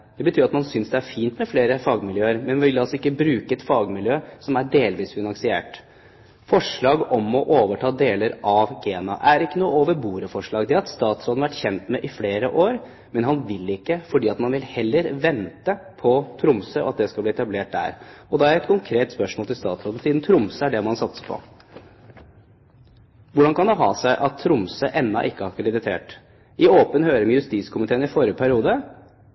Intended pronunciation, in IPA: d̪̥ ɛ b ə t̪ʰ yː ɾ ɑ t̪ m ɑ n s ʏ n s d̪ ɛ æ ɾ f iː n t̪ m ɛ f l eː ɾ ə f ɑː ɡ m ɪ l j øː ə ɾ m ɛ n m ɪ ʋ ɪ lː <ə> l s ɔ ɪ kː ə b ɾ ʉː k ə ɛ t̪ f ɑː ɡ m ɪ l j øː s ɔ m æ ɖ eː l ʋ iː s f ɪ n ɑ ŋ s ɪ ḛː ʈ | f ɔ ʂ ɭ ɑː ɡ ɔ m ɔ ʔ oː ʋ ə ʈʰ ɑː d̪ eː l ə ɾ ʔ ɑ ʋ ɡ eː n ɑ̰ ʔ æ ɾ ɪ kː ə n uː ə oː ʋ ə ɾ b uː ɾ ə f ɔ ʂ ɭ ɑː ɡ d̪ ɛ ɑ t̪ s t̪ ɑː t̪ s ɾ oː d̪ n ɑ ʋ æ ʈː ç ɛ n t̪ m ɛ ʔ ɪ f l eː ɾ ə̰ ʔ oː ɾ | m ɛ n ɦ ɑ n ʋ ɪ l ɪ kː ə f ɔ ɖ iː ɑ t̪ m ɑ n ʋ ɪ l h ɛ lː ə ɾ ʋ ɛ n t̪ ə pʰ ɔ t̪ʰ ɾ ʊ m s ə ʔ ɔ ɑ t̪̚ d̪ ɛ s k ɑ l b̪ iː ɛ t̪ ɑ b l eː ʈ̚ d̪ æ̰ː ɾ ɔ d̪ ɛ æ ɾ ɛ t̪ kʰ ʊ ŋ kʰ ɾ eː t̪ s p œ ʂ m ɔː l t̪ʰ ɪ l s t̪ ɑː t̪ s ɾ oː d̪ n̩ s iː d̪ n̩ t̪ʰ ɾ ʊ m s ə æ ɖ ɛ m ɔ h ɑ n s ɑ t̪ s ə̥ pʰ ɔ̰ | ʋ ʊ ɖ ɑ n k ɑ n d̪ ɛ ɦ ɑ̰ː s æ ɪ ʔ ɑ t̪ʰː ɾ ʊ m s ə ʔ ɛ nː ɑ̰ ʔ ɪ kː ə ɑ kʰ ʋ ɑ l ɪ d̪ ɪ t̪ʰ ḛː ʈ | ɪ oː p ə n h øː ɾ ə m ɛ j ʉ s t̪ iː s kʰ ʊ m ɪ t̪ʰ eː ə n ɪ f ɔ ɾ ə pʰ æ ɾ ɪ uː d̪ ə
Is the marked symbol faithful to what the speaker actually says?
no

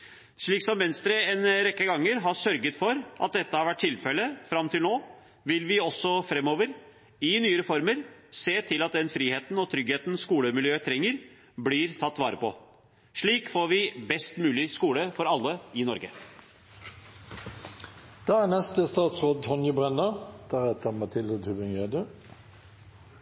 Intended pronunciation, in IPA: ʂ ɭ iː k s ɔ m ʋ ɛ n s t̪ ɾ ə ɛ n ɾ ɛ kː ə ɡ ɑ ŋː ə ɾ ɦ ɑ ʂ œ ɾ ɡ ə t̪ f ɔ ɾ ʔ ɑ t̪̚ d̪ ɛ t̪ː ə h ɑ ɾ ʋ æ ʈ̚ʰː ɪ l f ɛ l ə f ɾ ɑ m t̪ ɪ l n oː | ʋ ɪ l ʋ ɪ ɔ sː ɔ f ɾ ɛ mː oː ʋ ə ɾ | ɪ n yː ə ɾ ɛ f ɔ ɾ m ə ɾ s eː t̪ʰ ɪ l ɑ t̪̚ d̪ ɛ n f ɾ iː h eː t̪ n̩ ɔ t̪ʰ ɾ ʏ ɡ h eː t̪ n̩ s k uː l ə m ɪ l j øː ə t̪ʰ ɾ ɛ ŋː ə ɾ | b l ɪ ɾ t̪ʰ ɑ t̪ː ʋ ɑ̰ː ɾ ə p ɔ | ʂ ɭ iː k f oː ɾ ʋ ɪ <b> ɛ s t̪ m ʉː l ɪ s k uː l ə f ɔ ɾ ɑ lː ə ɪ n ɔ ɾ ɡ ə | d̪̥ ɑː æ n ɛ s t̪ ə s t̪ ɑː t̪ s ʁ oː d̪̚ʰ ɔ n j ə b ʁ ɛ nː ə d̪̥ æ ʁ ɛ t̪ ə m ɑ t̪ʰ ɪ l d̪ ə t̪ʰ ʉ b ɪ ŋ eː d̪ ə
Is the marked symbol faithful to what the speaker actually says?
yes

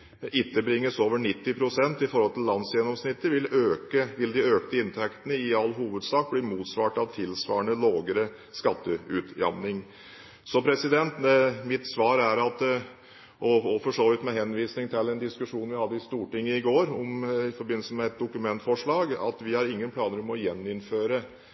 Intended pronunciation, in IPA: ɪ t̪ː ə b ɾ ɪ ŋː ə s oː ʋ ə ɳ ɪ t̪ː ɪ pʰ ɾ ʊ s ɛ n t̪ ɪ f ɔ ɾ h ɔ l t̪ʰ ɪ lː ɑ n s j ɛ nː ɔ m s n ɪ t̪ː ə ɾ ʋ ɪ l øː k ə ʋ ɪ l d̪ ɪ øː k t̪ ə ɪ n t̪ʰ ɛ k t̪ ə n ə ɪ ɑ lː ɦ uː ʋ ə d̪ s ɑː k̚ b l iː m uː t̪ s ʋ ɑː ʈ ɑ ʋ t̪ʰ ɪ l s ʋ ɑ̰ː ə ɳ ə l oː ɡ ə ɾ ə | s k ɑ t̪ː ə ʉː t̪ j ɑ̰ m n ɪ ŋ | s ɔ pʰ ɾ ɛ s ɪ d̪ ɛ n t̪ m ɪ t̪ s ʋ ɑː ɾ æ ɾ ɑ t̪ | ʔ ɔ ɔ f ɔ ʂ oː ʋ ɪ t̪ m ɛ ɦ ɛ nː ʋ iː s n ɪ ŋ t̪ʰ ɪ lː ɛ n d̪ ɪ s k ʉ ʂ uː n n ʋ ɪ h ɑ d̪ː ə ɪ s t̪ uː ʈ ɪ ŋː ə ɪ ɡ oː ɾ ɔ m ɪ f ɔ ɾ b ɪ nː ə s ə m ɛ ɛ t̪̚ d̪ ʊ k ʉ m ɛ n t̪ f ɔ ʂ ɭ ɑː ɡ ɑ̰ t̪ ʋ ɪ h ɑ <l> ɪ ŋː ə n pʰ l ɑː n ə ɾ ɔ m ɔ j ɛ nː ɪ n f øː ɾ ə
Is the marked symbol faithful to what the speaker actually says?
no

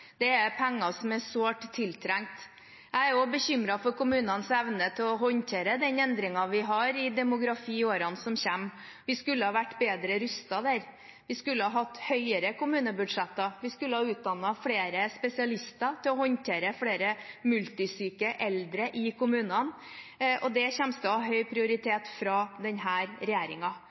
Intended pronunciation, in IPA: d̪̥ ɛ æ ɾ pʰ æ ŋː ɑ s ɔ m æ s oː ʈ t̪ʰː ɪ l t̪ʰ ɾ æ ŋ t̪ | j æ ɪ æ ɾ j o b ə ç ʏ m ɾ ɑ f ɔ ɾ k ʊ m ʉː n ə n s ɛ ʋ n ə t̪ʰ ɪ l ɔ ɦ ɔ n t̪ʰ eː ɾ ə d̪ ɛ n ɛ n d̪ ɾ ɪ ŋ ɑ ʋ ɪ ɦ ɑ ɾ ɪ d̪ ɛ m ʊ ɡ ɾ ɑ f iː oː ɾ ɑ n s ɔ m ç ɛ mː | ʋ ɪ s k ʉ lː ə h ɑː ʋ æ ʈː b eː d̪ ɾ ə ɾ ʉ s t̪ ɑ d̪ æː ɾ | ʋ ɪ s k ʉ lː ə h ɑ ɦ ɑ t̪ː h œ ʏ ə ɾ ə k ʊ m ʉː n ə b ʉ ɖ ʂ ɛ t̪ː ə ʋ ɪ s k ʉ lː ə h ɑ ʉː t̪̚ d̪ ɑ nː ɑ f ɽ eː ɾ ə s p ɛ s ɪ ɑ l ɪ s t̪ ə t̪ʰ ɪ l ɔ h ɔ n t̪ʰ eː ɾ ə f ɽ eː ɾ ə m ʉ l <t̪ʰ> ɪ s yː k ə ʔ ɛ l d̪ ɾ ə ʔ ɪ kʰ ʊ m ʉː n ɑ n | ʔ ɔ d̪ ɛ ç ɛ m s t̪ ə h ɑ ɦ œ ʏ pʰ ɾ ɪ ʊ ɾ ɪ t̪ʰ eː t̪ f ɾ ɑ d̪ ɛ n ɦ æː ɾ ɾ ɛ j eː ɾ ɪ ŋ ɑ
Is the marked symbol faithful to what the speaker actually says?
no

